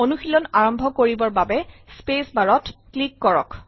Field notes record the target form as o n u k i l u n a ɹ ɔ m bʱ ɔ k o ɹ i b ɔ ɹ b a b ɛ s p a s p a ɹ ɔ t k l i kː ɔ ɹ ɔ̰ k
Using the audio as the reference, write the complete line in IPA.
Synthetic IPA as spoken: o n u x i l ɔ n a ɹ ɔ m bʱ ɔ k o ɹ i b ɔ ɹ b a b ɛ s p e s b a ɹ ɔ t k l i kː ɔ ɹ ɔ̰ k

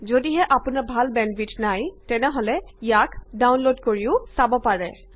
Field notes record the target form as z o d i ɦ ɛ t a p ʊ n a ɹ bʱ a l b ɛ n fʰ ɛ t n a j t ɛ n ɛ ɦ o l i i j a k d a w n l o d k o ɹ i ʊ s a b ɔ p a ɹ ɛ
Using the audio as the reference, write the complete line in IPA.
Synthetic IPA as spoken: z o d i ɦ ɛ ʔ a p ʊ n a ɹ bʱ a l b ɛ n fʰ i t n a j t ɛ n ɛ ɦ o l ɛ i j a k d a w n l o d k o ɹ i ʊ s a b ɔ p a ɹ ɛ

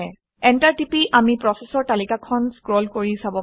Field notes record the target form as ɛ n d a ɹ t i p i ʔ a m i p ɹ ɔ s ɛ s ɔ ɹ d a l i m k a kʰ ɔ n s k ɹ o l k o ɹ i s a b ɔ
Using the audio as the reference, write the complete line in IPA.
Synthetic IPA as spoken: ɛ n t a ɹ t i p i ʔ a m i p ɹ ɔ s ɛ s ɔ ɹ t a l i k a kʰ ɔ n s k ɹ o l k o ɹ i s a b ɔ

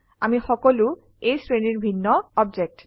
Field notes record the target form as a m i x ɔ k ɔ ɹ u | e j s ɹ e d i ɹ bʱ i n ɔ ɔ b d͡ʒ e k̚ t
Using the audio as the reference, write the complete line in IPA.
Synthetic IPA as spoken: a m i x ɔ k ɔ l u | e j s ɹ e n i ɹ bʱ i nː ɔ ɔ b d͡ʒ e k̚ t

